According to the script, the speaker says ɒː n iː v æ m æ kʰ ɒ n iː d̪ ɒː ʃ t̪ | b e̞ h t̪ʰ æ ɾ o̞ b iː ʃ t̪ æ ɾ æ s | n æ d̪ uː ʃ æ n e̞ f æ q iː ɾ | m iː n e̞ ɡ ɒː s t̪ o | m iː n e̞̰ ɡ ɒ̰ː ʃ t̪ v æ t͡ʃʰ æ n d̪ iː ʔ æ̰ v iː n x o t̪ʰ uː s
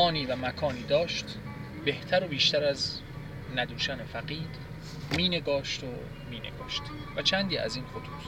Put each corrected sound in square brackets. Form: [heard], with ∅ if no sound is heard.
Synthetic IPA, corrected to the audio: ɒː n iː v æ m æ kʰ [ɒː] n iː d̪ ɒː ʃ t̪ | b e̞ h t̪ʰ æ ɾ o̞ b iː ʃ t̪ æ ɾ æ [z] | n æ d̪ uː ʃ æ n e̞ f æ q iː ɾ | m iː n e̞ ɡ ɒː [ʃ] t̪ o | m iː n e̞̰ ɡ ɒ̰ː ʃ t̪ v æ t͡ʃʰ æ n d̪ iː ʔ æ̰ [z] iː n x o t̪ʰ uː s